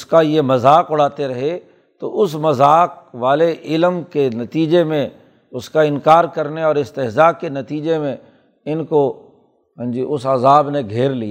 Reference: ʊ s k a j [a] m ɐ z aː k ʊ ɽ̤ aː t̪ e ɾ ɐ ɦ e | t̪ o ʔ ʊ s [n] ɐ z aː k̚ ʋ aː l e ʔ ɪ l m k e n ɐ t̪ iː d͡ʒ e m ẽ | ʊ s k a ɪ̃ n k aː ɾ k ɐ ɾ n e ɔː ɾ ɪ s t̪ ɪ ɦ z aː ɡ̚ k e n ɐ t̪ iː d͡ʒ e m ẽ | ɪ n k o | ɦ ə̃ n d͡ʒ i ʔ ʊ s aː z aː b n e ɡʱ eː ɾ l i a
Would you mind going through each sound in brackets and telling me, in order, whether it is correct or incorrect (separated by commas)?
incorrect, incorrect